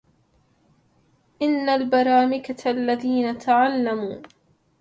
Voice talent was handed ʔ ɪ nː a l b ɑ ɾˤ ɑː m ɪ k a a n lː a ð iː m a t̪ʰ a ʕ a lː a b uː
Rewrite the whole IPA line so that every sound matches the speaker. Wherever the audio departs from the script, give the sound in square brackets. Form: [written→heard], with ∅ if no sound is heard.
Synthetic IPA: ʔ ɪ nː a l b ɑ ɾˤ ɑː m ɪ k a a [n→∅] lː a ð iː [m→n] a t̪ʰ a ʕ a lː a [b→m] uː